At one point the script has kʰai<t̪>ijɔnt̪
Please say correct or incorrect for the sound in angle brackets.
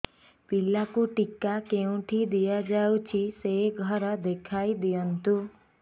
incorrect